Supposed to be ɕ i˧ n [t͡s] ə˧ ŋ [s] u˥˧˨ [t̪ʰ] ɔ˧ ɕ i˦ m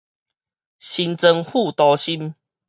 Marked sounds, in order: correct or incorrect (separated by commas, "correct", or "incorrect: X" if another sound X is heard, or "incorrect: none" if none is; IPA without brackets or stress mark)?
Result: correct, incorrect: h, incorrect: t̪